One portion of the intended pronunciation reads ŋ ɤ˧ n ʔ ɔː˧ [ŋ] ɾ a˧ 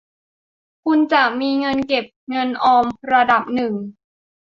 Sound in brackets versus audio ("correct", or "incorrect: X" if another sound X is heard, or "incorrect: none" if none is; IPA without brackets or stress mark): incorrect: m